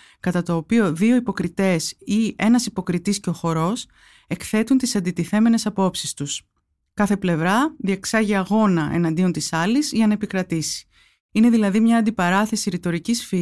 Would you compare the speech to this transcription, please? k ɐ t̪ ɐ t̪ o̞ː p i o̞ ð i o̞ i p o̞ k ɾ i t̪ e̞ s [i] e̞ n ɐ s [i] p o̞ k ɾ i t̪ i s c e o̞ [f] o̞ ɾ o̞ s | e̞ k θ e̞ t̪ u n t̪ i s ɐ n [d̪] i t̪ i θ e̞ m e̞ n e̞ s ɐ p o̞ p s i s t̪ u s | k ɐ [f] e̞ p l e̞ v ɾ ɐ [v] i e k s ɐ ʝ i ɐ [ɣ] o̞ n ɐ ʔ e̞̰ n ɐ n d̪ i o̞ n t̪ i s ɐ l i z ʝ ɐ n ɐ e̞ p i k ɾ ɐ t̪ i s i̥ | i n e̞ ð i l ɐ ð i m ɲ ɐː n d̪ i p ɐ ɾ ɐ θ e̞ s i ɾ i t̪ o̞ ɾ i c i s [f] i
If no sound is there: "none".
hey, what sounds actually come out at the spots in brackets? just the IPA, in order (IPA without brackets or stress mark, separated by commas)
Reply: i, i, x, d̪, θ, ð, ɣ, f